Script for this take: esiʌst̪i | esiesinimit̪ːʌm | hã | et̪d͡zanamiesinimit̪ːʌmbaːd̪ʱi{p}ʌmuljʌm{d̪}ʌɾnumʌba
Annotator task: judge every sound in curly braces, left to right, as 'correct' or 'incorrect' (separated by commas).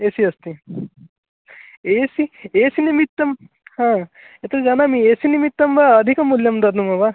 incorrect, correct